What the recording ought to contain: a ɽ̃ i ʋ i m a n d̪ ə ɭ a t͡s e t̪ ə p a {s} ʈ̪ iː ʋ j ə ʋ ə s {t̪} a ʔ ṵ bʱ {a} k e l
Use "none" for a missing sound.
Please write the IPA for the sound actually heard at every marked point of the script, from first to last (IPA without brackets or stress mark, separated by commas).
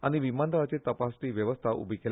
s, t̪ʰ, i